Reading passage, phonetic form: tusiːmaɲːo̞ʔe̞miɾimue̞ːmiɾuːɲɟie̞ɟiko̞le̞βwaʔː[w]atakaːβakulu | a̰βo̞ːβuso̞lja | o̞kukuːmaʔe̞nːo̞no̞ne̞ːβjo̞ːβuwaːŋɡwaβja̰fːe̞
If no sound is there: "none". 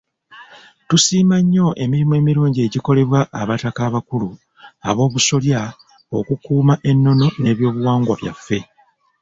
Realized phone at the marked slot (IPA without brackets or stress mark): β